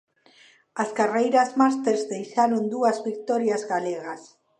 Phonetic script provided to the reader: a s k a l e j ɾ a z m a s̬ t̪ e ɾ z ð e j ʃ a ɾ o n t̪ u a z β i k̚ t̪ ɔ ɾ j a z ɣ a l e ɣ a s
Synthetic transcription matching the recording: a s k a r e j ɾ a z m a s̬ t̪ e ɾ z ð e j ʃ a ɾ o n d̪ u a z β i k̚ t̪ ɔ ɾ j a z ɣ a l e ɣ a s